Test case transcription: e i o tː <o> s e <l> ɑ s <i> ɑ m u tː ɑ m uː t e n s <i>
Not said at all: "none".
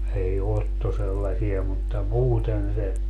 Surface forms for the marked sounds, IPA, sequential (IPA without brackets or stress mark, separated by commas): o, lː, i, e